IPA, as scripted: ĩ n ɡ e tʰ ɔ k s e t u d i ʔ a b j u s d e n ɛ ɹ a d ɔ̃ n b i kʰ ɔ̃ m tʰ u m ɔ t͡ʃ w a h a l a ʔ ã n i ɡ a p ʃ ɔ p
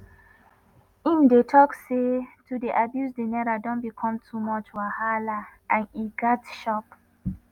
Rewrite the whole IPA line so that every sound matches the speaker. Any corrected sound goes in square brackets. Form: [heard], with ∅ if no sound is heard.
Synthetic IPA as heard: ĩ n [d] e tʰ ɔ k s e t u d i ʔ a b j u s d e n ɛ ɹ a d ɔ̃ n b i kʰ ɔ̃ m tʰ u m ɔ t͡ʃ w a h a l a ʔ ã n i ɡ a [t] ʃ ɔ p